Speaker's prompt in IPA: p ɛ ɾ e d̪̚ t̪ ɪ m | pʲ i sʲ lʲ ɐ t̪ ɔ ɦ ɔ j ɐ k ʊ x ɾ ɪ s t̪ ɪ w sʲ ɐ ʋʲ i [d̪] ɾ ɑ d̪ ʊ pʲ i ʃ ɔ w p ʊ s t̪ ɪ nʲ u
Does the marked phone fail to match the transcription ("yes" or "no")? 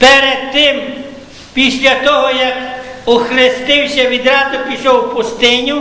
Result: no